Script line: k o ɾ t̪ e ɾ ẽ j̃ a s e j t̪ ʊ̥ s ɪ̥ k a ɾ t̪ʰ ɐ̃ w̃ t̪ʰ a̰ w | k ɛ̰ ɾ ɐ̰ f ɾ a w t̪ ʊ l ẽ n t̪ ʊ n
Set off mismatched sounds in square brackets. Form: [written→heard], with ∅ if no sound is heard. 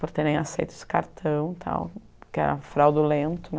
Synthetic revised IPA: [k→p] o ɾ t̪ e ɾ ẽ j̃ a s e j t̪ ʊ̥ s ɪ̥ k a ɾ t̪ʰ ɐ̃ w̃ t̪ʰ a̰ w | k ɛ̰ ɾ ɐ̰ f ɾ a w [t̪→d̪] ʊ l ẽ n t̪ ʊ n